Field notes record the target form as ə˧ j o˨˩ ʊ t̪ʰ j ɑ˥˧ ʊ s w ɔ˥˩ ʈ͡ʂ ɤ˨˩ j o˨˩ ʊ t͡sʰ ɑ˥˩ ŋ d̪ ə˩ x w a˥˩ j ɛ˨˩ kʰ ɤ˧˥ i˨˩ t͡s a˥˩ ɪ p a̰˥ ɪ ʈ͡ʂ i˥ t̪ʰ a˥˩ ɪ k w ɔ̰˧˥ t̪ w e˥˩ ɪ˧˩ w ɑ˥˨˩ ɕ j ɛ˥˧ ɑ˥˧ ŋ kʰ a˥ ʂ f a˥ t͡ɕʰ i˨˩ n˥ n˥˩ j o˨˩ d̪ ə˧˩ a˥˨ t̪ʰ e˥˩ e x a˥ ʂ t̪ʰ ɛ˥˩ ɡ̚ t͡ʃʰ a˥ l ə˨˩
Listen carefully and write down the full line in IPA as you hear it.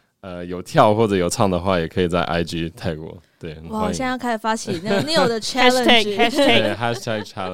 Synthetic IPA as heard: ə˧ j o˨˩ ʊ t̪ʰ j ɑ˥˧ ʊ x w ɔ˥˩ ʈ͡ʂ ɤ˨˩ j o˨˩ ʊ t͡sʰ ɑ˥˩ ŋ d̪ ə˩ x w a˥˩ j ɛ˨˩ kʰ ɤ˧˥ i˨˩ t͡s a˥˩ ɪ ʔ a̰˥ ɪ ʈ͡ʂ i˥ t̪ʰ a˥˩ ɪ k w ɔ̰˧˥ t̪ w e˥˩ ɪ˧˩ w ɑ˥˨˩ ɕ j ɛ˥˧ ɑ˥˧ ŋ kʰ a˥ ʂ f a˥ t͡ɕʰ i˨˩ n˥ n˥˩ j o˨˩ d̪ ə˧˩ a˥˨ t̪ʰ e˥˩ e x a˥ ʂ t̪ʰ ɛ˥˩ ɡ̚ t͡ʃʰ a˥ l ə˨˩